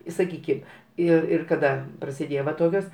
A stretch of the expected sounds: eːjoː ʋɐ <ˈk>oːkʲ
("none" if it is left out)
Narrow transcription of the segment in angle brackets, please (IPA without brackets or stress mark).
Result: t